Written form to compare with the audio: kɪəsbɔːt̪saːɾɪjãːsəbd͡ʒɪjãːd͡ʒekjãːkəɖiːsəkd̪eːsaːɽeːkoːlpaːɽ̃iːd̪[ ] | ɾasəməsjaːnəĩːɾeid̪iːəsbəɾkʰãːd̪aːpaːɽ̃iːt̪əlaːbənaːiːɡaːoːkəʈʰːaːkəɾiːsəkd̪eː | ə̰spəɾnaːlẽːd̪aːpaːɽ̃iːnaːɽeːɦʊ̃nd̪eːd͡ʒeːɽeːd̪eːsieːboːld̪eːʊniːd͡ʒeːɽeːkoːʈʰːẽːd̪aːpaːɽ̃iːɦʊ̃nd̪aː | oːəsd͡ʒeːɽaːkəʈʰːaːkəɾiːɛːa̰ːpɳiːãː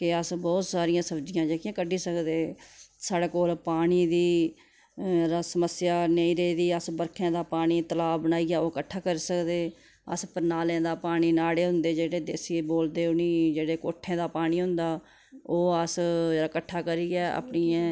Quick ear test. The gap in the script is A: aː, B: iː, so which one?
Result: B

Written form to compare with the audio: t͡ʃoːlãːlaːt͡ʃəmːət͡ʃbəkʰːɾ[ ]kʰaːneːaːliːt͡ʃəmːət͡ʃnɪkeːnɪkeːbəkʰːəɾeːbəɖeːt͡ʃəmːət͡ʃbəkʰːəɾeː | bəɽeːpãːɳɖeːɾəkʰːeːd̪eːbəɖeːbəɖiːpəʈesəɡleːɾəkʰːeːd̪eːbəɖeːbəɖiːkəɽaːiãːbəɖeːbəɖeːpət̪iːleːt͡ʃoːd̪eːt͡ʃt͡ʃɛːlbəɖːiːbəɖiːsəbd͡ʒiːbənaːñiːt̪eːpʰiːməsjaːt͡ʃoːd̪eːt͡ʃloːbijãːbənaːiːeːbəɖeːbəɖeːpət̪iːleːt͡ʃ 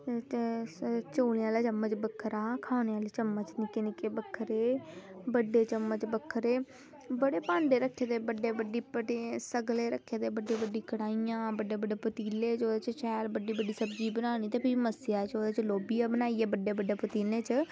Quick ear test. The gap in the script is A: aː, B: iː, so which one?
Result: A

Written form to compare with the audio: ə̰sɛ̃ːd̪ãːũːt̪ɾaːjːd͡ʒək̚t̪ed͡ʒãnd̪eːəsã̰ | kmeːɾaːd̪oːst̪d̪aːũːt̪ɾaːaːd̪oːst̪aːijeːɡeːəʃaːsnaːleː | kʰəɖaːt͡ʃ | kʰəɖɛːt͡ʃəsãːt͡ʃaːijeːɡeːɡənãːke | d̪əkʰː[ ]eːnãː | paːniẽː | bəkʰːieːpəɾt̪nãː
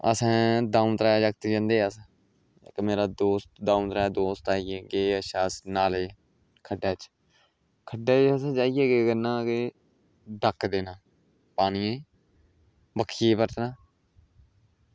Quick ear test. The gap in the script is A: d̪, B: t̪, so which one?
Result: A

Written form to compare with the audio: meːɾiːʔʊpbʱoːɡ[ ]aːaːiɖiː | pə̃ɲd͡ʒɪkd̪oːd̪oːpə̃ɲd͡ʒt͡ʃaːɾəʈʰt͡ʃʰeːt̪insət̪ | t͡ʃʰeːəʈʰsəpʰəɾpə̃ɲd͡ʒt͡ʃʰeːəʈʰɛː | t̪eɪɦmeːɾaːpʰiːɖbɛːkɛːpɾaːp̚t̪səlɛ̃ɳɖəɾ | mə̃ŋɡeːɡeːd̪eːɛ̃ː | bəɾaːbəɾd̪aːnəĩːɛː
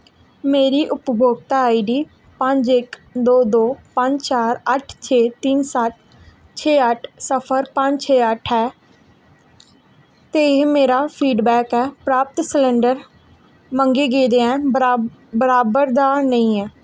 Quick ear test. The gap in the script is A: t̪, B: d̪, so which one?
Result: A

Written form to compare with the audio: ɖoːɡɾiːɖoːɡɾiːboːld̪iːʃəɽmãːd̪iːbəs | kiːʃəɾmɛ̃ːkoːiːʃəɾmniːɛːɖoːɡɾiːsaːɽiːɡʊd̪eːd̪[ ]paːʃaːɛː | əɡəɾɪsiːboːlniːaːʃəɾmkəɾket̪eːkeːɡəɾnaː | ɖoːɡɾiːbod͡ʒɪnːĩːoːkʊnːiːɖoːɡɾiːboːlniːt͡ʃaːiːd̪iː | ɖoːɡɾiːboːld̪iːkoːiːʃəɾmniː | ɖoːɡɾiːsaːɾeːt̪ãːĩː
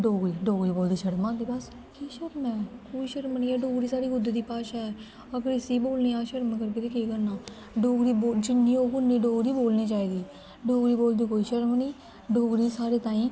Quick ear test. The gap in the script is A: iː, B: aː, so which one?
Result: A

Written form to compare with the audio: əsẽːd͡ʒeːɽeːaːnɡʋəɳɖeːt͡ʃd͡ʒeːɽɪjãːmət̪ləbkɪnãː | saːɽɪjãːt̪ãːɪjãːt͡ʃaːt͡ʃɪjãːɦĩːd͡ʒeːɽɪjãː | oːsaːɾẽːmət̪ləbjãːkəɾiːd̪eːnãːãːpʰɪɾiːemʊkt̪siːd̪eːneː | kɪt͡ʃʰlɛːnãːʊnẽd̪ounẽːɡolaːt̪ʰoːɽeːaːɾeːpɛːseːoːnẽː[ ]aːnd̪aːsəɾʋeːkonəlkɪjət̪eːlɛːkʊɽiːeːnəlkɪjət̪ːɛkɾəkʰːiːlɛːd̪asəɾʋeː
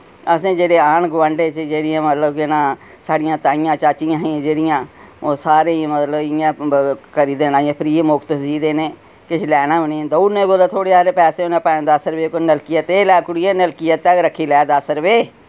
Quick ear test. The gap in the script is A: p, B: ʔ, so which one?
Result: A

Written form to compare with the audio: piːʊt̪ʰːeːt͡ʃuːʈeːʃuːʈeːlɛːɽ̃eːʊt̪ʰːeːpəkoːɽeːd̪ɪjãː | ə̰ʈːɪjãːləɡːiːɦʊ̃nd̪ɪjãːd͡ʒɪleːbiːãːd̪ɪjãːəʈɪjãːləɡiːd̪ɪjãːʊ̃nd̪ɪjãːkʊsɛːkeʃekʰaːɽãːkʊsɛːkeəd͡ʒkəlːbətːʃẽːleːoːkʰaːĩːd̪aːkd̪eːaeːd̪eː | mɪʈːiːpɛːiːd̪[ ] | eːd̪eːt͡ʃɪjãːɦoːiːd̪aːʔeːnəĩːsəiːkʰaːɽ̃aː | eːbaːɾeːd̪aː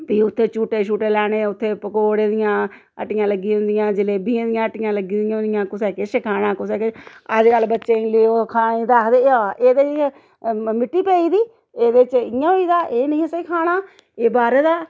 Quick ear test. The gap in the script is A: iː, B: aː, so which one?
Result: A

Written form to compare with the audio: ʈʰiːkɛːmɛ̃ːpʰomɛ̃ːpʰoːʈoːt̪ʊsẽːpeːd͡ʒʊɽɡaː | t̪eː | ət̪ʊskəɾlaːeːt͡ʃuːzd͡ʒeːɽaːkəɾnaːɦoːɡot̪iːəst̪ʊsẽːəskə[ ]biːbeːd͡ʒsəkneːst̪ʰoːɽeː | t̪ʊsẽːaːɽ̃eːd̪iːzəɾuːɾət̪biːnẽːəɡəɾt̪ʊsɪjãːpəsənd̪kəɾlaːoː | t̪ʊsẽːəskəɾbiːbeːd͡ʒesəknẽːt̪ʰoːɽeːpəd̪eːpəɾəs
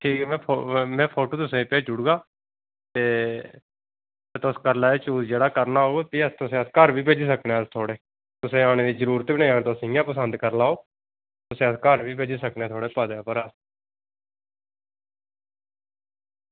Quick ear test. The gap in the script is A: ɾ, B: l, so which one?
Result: A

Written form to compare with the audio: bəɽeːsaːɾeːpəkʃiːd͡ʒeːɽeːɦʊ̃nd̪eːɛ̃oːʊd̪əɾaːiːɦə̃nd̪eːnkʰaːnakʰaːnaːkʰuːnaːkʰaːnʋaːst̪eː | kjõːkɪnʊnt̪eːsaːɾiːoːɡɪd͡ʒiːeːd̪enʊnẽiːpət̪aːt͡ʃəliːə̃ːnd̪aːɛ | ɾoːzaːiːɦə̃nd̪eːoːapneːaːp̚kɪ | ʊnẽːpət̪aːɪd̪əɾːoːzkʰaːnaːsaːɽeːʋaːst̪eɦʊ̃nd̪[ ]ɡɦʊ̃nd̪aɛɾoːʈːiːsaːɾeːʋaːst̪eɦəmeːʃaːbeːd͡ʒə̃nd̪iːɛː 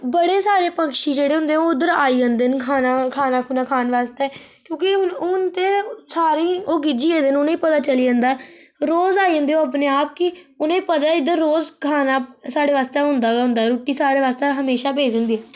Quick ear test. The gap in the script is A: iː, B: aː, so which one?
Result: B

